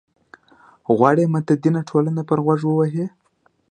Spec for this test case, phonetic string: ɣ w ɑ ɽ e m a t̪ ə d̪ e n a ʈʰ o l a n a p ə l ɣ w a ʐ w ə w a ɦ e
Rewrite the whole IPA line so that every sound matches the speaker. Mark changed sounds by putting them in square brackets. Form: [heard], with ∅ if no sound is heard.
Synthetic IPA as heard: ɣ w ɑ ɽ e m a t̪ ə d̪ [i] n a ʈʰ o l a n a p ə [ɾ] ɣ w a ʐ w ə w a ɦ e